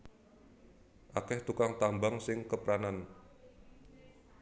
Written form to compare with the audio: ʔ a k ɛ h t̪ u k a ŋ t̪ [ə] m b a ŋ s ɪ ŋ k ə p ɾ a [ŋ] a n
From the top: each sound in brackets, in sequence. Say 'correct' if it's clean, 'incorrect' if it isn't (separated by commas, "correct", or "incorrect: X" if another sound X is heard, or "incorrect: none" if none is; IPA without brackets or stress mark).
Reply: incorrect: a, incorrect: n